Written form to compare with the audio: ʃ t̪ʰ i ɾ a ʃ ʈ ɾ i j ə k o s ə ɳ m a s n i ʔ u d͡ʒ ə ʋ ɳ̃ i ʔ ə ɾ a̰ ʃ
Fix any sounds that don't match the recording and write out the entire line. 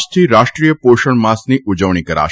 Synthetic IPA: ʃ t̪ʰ i ɾ a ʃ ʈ ɾ i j ə p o ʃ ə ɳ m a s n i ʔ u d͡ʒ ə ʋ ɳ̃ i k ə ɾ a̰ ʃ